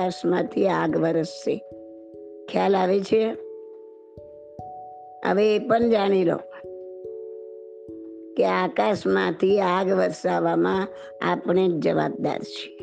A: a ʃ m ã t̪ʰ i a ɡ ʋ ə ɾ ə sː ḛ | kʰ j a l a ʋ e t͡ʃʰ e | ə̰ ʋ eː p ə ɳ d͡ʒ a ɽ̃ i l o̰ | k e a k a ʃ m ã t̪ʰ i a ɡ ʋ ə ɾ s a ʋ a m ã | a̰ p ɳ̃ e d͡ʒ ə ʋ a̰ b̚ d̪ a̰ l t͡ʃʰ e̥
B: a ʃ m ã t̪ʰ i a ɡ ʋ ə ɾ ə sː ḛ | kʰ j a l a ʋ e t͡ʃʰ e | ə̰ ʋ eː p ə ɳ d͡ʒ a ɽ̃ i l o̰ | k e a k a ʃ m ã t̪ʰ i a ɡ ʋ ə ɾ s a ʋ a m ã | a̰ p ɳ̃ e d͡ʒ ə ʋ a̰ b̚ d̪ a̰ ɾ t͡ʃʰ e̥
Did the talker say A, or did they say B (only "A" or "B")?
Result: B